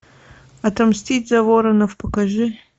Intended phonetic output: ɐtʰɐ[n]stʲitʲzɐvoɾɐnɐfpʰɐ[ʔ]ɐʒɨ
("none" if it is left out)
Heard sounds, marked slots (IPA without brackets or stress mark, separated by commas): m, k